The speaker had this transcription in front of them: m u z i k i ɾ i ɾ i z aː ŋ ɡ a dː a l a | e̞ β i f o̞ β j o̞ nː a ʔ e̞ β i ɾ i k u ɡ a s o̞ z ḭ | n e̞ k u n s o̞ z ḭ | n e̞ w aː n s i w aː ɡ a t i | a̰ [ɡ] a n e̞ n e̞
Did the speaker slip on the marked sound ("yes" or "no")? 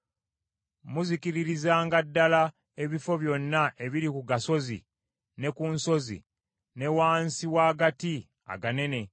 no